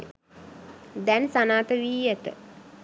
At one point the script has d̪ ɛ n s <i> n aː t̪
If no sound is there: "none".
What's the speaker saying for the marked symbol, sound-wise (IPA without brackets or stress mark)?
a